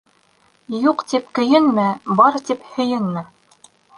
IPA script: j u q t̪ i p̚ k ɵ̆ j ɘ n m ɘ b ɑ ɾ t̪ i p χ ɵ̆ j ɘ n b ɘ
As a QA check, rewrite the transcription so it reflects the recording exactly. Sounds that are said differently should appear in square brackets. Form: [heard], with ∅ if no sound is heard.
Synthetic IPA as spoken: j u q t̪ i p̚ k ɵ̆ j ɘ n m ɘ b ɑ ɾ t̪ i p [h] ɵ̆ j ɘ n [m] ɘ